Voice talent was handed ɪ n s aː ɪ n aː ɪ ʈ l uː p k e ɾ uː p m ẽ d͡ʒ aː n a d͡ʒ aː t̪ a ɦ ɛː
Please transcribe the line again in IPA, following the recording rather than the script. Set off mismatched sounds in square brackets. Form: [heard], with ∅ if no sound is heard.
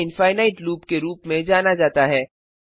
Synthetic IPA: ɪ n [f] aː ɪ n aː ɪ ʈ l uː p k e ɾ uː p m ẽ d͡ʒ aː n a d͡ʒ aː t̪ a ɦ ɛː